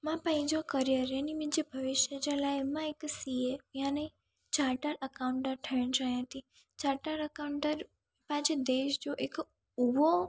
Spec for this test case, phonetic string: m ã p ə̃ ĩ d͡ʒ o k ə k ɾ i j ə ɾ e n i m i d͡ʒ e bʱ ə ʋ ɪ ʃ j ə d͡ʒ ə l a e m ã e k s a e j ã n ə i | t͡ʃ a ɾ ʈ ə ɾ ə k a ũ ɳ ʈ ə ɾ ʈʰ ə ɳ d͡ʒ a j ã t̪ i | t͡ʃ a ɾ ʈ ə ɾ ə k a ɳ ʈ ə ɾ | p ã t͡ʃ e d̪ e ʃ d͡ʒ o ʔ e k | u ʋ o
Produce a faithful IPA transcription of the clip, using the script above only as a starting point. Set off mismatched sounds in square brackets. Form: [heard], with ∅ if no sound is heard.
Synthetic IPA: m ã p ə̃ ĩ d͡ʒ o k ə [∅] ɾ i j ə ɾ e n i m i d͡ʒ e bʱ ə ʋ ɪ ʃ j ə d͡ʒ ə l a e m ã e k s [i] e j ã n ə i | t͡ʃ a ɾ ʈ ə ɾ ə k a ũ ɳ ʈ ə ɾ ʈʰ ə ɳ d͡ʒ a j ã t̪ i | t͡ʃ a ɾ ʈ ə ɾ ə k a ɳ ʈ ə ɾ | p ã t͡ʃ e d̪ e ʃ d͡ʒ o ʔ e k | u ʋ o